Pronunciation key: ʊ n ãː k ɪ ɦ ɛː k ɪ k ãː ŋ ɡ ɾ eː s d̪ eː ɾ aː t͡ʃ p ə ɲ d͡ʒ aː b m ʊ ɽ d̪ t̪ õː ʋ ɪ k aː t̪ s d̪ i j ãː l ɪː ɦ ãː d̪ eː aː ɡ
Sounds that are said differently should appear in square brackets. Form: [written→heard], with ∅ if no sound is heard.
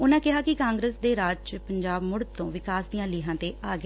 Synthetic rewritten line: ʊ n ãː k ɪ ɦ [ɛː→aː] k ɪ k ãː ŋ ɡ ɾ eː s d̪ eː ɾ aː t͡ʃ p ə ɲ d͡ʒ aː b m ʊ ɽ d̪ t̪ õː ʋ ɪ k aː [t̪→∅] s d̪ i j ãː l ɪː ɦ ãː [d̪→t̪] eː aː ɡ